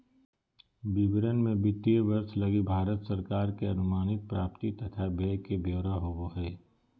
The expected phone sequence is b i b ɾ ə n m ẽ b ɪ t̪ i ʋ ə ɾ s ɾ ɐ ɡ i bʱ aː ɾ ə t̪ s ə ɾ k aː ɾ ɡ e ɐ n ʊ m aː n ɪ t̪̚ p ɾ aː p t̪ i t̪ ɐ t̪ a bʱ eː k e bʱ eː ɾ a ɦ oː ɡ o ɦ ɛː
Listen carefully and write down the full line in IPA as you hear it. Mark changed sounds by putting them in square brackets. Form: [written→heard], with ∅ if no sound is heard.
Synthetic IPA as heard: b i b ɾ ə n m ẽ b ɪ t̪ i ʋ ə ɾ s [ɾ→l] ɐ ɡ i bʱ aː ɾ ə t̪ s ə ɾ k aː ɾ [ɡ→k] e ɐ n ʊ m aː n ɪ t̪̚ p ɾ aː p t̪ i t̪ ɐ [t̪→t̪ʰ] a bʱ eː k e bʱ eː ɾ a ɦ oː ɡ o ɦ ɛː

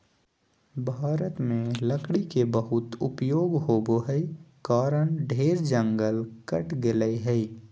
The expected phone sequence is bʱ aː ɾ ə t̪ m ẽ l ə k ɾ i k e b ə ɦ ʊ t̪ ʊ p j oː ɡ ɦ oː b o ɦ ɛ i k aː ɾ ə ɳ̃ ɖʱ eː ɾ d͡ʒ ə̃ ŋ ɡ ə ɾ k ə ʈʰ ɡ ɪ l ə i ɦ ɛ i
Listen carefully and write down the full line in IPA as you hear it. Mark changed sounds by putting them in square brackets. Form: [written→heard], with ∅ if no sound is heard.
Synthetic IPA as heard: bʱ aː ɾ ə t̪ m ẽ l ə k [ɾ→ɽ] i k e b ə ɦ ʊ t̪ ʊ p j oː ɡ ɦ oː b o ɦ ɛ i k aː ɾ ə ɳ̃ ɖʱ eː ɾ d͡ʒ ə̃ ŋ ɡ ə [ɾ→l] k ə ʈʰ ɡ ɪ l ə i ɦ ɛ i

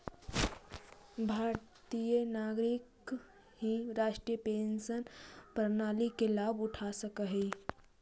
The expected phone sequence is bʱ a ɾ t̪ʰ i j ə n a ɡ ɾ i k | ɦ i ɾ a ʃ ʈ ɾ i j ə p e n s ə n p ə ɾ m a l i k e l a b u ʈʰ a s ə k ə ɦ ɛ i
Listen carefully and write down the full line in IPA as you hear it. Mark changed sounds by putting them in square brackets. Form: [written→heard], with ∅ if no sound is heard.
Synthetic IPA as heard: bʱ a ɾ [t̪ʰ→t̪] i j ə n a ɡ ɾ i k | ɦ i ɾ a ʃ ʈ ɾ i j ə p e n s ə n p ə ɾ [m→n] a l i k e l a b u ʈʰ a s ə k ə ɦ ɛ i

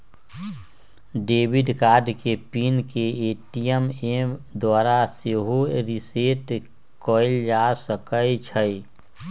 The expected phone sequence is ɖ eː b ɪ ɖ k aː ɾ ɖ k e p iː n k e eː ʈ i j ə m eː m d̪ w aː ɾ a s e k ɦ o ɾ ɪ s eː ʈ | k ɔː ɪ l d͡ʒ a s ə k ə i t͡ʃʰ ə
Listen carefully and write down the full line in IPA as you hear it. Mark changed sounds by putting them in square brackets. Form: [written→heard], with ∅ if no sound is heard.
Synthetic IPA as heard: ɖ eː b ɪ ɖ k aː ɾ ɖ k e p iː n k e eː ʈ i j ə m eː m d̪ w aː ɾ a s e [k→∅] ɦ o ɾ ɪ s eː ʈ | k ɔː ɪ l d͡ʒ a s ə k ə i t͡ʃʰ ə

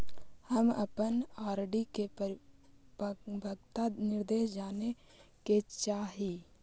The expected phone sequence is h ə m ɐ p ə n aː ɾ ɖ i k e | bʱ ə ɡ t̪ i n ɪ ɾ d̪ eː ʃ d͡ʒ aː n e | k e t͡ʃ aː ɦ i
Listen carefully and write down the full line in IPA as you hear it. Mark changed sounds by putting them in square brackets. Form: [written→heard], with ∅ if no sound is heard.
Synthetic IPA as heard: h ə m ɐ p ə n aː ɾ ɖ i k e | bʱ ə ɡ t̪ [i→a] n ɪ ɾ d̪ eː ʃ d͡ʒ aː n e | k e t͡ʃ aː ɦ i

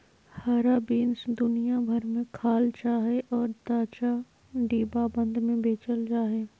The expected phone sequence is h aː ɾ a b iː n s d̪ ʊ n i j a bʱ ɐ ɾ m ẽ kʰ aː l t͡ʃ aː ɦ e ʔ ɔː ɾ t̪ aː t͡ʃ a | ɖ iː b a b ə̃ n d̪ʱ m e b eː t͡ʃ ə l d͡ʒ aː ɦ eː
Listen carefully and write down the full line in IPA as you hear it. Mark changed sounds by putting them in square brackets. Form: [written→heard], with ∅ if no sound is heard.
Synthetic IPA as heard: h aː ɾ a b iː n s d̪ ʊ n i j a bʱ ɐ ɾ m ẽ kʰ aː l t͡ʃ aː ɦ e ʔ ɔː ɾ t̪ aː t͡ʃ a | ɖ iː b a b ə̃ n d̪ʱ m [e→ẽ] b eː t͡ʃ ə l d͡ʒ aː ɦ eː

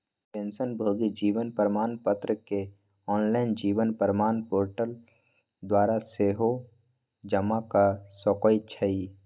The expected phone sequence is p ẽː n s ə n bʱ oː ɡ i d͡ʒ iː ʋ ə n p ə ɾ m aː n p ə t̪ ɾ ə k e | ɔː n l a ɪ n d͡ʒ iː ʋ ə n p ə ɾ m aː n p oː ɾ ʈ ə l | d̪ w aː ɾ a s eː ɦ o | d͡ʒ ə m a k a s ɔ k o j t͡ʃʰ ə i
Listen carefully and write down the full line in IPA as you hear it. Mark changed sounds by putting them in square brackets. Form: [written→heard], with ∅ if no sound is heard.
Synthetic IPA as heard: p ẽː n s ə n bʱ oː ɡ i d͡ʒ iː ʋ ə n p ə ɾ m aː n p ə t̪ ɾ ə k e | ɔː n l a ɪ n d͡ʒ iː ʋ ə n p ə ɾ m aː n p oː ɾ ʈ ə l | d̪ w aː ɾ a s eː ɦ o | d͡ʒ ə m a k a s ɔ k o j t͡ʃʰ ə i

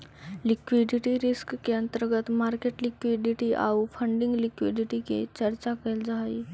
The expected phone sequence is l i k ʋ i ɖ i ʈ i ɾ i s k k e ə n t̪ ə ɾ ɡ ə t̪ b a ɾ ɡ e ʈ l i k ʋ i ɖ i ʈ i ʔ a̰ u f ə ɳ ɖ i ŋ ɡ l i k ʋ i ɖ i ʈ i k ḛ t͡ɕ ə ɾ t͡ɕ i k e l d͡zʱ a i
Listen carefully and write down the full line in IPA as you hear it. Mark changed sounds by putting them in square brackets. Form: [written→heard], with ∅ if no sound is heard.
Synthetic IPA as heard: l i k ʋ i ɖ i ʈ i ɾ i s k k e ə n t̪ ə ɾ ɡ ə t̪ [b→m] a ɾ [ɡ→k] e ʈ l i k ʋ i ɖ i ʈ i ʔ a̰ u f ə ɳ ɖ i ŋ ɡ l i k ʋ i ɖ i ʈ i k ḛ t͡ɕ ə ɾ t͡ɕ [i→a] k e l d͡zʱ a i

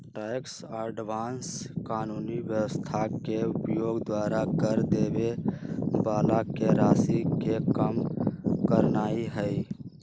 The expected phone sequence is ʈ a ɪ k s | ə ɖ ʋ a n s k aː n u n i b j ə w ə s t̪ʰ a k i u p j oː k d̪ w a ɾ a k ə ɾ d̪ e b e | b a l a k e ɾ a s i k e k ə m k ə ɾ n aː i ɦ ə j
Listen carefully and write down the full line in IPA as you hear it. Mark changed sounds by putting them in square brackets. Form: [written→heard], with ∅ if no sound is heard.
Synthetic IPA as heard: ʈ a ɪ k s | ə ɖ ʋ a n s k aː n u n i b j ə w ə s t̪ʰ a k [i→e] u p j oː [k→ɡ] d̪ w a ɾ a k ə ɾ d̪ e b e | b a l a k e ɾ a s i k e k ə m k ə ɾ n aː i ɦ ə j

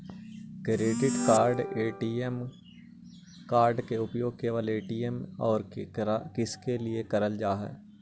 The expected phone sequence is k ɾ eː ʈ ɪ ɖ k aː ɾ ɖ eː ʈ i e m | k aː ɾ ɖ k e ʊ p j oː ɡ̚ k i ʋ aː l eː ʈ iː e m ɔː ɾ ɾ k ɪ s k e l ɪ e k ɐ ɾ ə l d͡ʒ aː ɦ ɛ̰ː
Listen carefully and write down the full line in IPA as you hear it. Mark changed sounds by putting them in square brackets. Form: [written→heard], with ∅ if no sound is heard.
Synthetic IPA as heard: k ɾ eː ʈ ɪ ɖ k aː ɾ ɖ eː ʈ i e m | k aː ɾ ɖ k e ʊ p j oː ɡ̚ k [i→e] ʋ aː l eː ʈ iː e m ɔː ɾ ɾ k ɪ s k e l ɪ e k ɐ ɾ ə l d͡ʒ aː ɦ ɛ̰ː

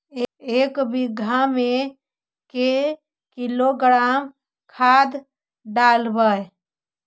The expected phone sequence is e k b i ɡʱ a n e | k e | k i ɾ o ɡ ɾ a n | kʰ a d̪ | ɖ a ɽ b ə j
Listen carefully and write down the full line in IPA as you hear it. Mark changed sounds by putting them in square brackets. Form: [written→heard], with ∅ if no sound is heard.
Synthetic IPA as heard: e k b i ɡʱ a [n→m] e | k e | k i [ɾ→l] o ɡ ɾ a [n→m] | kʰ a d̪ | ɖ a [ɽ→l] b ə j

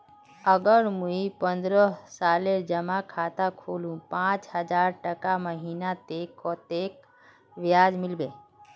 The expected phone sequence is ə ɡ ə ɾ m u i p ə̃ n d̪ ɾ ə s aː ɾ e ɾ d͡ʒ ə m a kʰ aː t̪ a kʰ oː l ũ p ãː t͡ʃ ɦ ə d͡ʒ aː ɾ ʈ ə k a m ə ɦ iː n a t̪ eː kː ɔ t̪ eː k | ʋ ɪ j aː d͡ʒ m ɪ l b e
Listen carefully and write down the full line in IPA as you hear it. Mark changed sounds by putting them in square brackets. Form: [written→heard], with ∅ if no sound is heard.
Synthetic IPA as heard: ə ɡ ə ɾ m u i p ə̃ n d̪ ɾ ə s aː [ɾ→l] e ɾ d͡ʒ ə m a kʰ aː t̪ a kʰ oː l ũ p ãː t͡ʃ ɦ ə d͡ʒ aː ɾ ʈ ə k a m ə ɦ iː n a t̪ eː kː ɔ t̪ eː k | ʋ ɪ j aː d͡ʒ m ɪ l b e

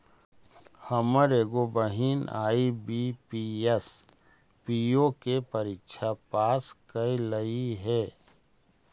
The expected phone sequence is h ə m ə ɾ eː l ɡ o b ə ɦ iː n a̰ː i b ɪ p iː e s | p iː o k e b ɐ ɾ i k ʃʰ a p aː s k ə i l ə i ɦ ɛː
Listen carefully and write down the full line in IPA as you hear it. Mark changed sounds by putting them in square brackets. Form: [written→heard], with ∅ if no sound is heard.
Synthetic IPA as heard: h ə m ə ɾ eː [l→∅] ɡ o b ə ɦ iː n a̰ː i b [ɪ→i] p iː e s | p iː o k e [b→p] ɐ ɾ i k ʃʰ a p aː s k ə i l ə i ɦ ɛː

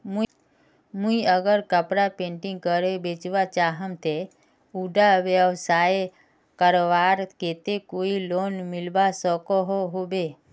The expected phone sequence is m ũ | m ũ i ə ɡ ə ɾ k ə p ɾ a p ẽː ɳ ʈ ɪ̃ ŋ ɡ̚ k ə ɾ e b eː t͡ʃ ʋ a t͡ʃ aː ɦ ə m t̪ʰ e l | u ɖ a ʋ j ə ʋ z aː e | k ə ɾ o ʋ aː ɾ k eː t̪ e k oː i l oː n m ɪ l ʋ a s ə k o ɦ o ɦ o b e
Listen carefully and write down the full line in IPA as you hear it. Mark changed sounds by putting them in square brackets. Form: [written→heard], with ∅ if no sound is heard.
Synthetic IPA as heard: m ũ | m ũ i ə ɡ ə ɾ k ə p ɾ a p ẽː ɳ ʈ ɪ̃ ŋ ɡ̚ k ə ɾ e b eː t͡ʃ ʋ a t͡ʃ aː ɦ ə m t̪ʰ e [l→∅] | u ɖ a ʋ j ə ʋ [z→s] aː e | k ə ɾ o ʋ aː ɾ k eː t̪ e k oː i l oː n m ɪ l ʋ a s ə k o ɦ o ɦ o b e

